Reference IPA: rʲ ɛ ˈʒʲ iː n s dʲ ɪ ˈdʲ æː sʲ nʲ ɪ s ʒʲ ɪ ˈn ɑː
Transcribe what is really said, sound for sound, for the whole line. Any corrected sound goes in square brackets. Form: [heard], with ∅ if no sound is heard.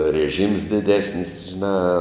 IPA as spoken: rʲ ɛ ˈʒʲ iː [m] s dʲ ɪ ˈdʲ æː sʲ nʲ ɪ s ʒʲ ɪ ˈn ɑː

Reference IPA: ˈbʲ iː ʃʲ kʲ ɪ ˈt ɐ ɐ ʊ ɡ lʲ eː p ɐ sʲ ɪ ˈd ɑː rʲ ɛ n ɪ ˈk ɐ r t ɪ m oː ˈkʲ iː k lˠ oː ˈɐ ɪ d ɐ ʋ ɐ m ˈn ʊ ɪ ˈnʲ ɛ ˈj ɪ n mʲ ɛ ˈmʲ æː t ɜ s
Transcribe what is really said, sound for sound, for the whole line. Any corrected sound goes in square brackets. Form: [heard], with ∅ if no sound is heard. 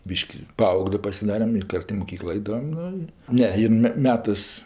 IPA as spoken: ˈbʲ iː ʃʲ kʲ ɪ [ˈp] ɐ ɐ ʊ ɡ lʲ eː p ɐ sʲ ɪ ˈd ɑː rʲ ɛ [m] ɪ ˈk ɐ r t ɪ m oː ˈkʲ iː k lˠ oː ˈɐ ɪ d ɐ ʋ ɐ m ˈn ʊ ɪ ˈnʲ ɛ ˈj ɪ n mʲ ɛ ˈmʲ æː t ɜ s

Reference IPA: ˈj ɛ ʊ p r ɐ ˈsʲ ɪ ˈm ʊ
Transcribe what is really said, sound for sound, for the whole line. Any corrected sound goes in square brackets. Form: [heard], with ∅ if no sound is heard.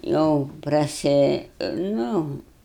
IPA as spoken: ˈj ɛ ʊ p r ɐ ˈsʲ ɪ [ˈn] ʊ

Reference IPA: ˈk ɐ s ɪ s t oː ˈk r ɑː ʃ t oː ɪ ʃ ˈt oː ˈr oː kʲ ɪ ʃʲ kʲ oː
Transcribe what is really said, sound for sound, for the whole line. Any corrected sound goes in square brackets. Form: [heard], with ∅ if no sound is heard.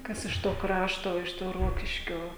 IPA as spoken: ˈk ɐ s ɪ [ʃ] t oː ˈk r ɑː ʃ t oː ɪ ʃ ˈt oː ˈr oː kʲ ɪ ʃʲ kʲ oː

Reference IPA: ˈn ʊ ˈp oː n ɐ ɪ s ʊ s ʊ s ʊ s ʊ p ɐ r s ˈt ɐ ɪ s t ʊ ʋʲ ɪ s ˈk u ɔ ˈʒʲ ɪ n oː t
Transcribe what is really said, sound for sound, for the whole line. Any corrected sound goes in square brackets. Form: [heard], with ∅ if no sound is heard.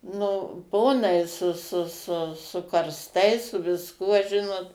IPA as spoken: ˈn ʊ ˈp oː n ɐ ɪ s ʊ s ʊ s ʊ s ʊ [k] ɐ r s ˈt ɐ ɪ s [s] ʊ ʋʲ ɪ s ˈk u ɔ ˈʒʲ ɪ n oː t

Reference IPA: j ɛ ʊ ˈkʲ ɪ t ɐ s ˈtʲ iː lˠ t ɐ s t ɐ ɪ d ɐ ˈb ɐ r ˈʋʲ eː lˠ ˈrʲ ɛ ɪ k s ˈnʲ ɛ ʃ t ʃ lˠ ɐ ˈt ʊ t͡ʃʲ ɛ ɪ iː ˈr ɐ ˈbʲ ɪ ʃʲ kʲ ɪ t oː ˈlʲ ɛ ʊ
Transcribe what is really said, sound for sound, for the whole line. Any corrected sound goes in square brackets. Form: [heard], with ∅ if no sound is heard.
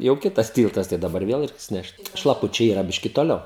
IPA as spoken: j ɛ ʊ ˈkʲ ɪ t ɐ s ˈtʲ iː lˠ t ɐ s t ɐ ɪ d ɐ ˈb ɐ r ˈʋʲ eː lˠ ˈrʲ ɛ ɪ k s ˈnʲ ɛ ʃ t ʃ lˠ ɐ [ˈp] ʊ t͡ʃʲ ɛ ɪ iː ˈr ɐ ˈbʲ ɪ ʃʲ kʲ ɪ t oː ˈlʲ ɛ ʊ

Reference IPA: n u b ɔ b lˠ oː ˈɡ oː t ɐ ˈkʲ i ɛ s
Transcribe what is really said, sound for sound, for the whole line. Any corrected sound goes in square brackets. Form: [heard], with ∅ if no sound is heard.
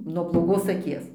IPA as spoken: n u [∅] ɔ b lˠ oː ˈɡ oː [s] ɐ ˈkʲ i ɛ s

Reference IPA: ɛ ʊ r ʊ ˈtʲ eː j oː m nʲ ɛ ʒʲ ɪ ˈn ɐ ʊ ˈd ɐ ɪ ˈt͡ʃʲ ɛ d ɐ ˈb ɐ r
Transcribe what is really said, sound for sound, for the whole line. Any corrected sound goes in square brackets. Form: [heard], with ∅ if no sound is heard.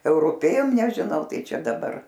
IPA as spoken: ɛ ʊ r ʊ [ˈpʲ] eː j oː m nʲ ɛ ʒʲ ɪ ˈn ɐ ʊ [ˈt] ɐ ɪ ˈt͡ʃʲ ɛ d ɐ ˈb ɐ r

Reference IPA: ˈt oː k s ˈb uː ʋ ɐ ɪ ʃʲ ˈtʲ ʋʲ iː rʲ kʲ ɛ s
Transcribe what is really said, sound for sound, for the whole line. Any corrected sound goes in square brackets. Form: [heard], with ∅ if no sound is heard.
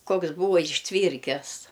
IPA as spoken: [ˈk] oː k s ˈb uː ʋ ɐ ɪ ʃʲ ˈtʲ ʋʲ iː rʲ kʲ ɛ s

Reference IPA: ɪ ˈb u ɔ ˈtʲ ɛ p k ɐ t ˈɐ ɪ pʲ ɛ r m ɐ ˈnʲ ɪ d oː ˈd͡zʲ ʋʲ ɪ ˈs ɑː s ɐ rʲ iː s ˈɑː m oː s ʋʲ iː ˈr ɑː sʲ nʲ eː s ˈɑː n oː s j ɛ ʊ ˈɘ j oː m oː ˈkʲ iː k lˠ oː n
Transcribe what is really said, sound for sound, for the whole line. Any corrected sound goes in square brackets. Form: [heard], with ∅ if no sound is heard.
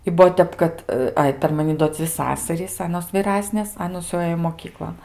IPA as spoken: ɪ ˈb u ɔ ˈtʲ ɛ p k ɐ t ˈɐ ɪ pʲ ɛ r m ɐ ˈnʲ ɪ d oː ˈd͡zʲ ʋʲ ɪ ˈs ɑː s ɐ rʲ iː s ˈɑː [n] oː s ʋʲ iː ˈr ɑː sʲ nʲ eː s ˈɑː n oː s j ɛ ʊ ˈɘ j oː m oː ˈkʲ iː k lˠ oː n

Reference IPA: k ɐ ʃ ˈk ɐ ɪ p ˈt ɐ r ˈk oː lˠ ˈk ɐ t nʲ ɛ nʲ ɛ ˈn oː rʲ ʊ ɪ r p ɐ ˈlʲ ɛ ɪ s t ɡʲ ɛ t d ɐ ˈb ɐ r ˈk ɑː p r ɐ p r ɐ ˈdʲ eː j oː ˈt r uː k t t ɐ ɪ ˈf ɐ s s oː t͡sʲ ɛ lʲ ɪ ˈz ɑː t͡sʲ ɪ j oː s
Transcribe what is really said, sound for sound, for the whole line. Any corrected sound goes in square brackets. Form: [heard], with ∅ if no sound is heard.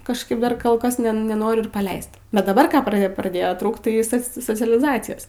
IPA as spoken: k ɐ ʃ ˈk ɐ ɪ p [ˈd] ɐ r ˈk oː lˠ ˈk ɐ [s] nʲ ɛ nʲ ɛ ˈn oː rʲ ʊ ɪ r p ɐ ˈlʲ ɛ ɪ s t [bʲ] ɛ t d ɐ ˈb ɐ r ˈk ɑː p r ɐ p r ɐ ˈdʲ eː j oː ˈt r uː k t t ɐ ɪ [ˈs] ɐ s s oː t͡sʲ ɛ lʲ ɪ ˈz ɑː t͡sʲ ɪ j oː s

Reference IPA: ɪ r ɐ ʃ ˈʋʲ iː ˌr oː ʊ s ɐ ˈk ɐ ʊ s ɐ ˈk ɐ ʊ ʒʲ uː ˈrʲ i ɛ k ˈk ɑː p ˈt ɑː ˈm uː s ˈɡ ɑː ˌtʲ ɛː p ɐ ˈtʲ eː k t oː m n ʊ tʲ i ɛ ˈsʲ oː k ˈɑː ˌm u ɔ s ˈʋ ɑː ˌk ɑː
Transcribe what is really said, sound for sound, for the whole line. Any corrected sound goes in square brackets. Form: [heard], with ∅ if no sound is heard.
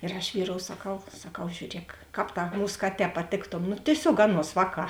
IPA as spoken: ɪ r ɐ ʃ ˈʋʲ iː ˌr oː ʊ s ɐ ˈk ɐ ʊ s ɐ ˈk ɐ ʊ ʒʲ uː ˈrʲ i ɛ k ˈk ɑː p ˈt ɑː ˈm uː s [ˈk] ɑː ˌtʲ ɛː p ɐ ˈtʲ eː k t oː m n ʊ tʲ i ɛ ˈsʲ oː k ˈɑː [ˌn] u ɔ s ˈʋ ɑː ˌk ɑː

